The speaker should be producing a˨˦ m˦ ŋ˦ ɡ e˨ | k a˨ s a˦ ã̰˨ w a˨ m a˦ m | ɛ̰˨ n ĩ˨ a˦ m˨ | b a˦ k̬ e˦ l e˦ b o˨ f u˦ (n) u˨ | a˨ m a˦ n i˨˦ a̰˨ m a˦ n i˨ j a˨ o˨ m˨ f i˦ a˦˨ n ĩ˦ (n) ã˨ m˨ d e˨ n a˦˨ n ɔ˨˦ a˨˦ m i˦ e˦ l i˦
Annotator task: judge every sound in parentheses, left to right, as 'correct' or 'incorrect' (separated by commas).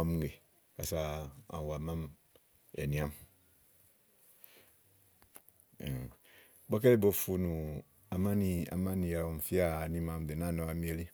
correct, incorrect